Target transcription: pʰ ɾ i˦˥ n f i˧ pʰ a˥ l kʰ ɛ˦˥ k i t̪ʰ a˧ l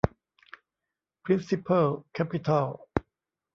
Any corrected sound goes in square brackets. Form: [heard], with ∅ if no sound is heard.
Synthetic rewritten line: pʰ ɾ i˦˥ n [s] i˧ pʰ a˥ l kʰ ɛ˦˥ [p] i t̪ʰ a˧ l